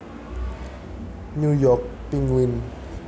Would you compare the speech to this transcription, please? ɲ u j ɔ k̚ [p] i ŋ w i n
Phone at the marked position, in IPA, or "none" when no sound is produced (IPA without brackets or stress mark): p